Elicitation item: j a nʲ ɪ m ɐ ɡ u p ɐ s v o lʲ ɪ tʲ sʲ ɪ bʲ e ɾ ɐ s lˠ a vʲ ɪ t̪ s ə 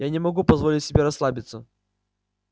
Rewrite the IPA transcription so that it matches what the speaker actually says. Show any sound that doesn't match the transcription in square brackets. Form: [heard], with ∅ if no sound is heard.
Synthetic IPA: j a nʲ ɪ m ɐ ɡ u p ɐ [z] v o lʲ ɪ tʲ sʲ ɪ bʲ e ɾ ɐ s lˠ a [bʲ] ɪ t̪ s ə